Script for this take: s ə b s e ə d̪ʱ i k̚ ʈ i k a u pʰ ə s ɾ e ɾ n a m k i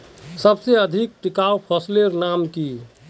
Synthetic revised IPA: s ə b s e ə d̪ʱ i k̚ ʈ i k a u pʰ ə s l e ɾ n a m k i

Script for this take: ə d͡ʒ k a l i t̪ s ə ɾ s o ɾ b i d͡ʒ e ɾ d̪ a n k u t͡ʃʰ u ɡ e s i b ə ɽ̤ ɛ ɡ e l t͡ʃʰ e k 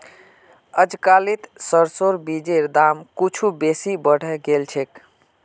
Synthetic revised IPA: ə d͡ʒ k a l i t̪ s ə ɾ s o ɾ b i d͡ʒ e ɾ d̪ a m k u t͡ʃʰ u b e s i b ə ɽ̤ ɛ ɡ e l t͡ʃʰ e k

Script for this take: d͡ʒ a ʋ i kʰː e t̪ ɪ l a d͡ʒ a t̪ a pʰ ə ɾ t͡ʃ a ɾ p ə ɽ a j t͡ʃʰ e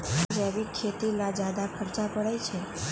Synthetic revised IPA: d͡ʒ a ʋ i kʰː e t̪ i l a d͡ʒ a d̪ a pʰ ə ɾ t͡ʃ a p ə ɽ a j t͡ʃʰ e

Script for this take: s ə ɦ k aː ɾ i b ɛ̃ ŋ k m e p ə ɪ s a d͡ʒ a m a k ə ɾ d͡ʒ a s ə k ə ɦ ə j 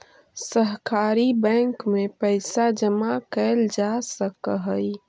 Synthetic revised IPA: s ə ɦ k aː ɾ i b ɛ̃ ŋ k m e p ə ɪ s a d͡ʒ ə m a k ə l d͡ʒ a s ə k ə ɦ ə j

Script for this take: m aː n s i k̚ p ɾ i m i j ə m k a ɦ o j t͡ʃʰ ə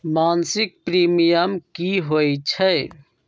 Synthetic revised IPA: m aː n s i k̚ p ɾ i m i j ə m k i ɦ o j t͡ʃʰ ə

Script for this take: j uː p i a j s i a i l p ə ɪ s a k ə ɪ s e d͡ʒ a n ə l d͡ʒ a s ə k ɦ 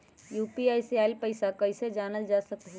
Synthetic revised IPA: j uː p i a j s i a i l p ə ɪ s a k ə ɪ s e d͡ʒ a n ə l d͡ʒ a s ə k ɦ

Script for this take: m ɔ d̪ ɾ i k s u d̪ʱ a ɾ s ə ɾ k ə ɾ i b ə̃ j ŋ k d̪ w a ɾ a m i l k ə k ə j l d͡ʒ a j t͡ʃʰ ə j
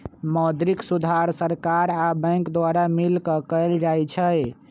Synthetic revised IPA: m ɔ d̪ ɾ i k s u d̪ʱ a ɾ s ə ɾ k a ɾ a b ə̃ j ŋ k d̪ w a ɾ a m i l k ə k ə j l d͡ʒ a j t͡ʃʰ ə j

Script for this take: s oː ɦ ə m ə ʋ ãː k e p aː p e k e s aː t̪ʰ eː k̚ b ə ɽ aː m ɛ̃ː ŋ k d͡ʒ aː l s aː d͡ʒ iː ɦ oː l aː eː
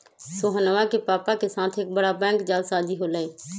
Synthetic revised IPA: s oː ɦ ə n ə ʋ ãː k e p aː p a k e s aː t̪ʰ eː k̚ b ə ɽ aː b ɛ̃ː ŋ k d͡ʒ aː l s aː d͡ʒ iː ɦ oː l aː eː

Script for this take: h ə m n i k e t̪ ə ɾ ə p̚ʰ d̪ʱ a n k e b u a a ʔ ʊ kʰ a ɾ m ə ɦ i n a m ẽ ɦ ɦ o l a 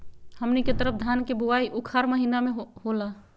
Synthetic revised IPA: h ə m n i k e t̪ ə ɾ ə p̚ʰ d̪ʱ a n k e b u a i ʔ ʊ kʰ a ɾ m ə ɦ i n a m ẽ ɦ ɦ o l a

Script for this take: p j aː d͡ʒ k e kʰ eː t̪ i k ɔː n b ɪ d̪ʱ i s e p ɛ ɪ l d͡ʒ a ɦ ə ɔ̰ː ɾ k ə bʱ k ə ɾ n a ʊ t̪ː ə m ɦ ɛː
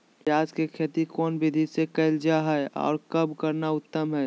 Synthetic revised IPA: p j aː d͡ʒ k e kʰ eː t̪ i k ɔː n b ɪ d̪ʱ i s e k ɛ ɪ l d͡ʒ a ɦ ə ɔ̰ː ɾ k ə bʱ k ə ɾ n a ʊ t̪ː ə m ɦ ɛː

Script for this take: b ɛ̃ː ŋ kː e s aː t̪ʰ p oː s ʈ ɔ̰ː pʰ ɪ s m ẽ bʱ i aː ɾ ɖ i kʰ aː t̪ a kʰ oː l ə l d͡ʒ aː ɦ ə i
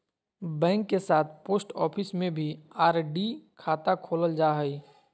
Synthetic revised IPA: b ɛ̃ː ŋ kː e s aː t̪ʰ p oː s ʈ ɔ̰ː pʰ ɪ s m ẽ bʱ i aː ɾ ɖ i kʰ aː t̪ a kʰ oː l ə l d͡ʒ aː ɦ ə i

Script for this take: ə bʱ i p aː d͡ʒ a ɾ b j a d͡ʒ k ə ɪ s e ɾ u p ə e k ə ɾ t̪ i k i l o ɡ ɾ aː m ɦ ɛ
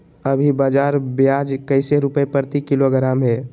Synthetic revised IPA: ə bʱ i b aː d͡ʒ a ɾ b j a d͡ʒ k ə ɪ s e ɾ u p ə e p ə ɾ t̪ i k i l o ɡ ɾ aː m ɦ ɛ

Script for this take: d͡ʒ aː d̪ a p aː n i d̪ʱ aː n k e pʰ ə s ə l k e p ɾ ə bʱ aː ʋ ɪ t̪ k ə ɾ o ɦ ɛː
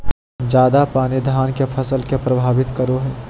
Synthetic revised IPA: d͡ʒ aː d̪ a p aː n i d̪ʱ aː n k e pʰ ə s ə l k e p ɾ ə bʱ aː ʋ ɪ t̪ k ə ɾ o ɦ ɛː

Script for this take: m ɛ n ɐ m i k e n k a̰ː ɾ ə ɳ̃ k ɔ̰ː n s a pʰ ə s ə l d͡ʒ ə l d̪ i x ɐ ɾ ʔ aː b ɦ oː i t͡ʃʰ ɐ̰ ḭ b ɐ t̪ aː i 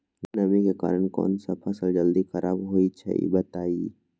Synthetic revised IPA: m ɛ n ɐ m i k e k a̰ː ɾ ə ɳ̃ k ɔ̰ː n s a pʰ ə s ə l d͡ʒ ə l d̪ i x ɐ ɾ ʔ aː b ɦ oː i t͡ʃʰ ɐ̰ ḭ b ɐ t̪ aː i

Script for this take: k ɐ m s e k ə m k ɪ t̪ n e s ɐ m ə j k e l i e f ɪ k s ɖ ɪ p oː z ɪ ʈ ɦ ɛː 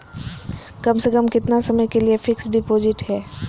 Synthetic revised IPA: k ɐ m s e k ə m k ɪ t̪ n a s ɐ m ə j k e l i e f ɪ k s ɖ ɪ p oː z ɪ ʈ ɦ ɛː

